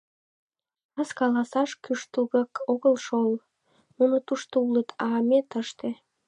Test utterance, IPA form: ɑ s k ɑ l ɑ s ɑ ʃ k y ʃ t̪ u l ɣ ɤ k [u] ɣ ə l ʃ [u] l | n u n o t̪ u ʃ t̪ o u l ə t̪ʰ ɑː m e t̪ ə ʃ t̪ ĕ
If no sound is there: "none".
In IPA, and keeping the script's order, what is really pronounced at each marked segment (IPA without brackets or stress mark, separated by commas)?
o, o